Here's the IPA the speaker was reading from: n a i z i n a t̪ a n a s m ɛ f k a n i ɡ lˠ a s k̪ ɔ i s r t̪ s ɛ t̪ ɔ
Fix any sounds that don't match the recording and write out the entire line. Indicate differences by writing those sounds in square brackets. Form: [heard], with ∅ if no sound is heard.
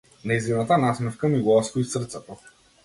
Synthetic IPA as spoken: n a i z i n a t̪ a n a s m ɛ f k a [m] i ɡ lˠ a s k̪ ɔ i s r t̪ s ɛ t̪ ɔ